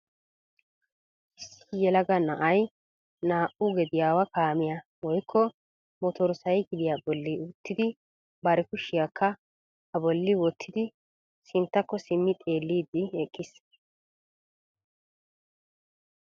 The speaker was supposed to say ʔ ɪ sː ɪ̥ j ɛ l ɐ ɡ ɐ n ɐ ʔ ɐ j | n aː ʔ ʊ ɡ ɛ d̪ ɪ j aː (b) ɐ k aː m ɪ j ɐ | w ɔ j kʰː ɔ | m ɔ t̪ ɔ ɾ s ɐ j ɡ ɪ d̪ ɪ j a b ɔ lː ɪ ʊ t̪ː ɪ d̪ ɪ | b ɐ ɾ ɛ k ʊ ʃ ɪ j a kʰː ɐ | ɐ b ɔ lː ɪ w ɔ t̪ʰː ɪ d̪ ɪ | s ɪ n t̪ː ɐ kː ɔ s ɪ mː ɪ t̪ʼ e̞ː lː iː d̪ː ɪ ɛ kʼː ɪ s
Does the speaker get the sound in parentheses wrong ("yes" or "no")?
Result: yes